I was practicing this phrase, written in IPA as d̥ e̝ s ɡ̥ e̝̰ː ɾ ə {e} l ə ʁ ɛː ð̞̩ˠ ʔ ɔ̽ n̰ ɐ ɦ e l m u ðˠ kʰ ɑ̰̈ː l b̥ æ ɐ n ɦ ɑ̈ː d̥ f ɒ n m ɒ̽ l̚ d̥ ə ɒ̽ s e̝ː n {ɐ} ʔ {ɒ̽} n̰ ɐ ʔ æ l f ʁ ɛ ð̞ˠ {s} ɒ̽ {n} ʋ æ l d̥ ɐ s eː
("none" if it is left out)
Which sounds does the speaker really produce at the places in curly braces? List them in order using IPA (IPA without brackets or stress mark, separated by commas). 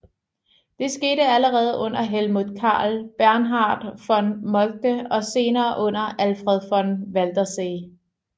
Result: æ, ɐː, ɔ̽, f, n